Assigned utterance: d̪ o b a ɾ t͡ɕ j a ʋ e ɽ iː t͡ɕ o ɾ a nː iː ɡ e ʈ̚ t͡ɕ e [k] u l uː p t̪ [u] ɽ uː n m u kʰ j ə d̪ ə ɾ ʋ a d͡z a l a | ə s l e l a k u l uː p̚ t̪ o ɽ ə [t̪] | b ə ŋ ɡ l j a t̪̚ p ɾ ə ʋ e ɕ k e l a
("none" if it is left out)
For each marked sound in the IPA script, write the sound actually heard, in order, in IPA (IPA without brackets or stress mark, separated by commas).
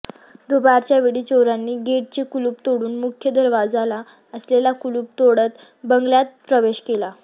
k, o, t̪